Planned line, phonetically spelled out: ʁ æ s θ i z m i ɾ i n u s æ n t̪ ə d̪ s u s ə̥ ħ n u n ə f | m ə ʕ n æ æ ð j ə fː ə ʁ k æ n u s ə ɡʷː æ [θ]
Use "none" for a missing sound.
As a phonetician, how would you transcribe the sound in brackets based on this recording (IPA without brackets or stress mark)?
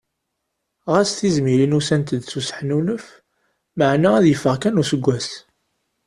s